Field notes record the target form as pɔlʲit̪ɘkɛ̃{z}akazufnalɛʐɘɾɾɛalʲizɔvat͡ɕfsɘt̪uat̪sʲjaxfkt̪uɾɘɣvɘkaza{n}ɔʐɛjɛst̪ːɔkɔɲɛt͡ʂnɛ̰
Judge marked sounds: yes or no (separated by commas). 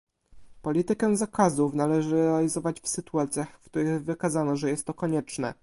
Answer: yes, yes